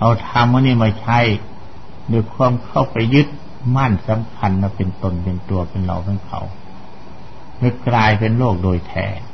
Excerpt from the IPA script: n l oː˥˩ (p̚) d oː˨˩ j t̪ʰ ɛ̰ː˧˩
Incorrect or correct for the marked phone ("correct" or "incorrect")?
incorrect